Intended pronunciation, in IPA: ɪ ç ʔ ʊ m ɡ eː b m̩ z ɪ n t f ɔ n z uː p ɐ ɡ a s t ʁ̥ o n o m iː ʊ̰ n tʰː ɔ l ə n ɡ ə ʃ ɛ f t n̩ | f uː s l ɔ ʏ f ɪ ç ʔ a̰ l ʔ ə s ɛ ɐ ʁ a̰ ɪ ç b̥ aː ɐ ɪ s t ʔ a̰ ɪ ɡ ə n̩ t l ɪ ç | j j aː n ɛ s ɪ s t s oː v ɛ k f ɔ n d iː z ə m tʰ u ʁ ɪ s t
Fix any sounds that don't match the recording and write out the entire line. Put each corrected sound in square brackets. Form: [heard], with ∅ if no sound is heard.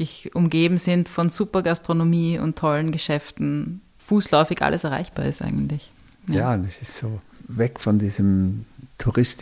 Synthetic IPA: ɪ ç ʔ ʊ m ɡ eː b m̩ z ɪ n t f ɔ n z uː p ɐ ɡ a s t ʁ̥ o n o m iː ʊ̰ n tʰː ɔ l ə n ɡ ə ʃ ɛ f t n̩ | f uː s l ɔ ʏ f ɪ ç ʔ a̰ l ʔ ə s ɛ ɐ ʁ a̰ ɪ ç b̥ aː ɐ ɪ s t ʔ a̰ ɪ ɡ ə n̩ t l ɪ ç | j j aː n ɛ s ɪ s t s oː v ɛ k f ɔ n d iː z ə m tʰ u ʁ ɪ s t